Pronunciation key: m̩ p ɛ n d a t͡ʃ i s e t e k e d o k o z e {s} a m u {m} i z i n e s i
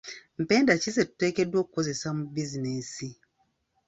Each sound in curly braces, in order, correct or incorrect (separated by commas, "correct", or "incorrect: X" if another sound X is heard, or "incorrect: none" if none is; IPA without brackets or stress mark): correct, incorrect: b